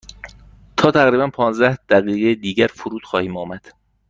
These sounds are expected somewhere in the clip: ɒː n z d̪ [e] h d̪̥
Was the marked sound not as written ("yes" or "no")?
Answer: yes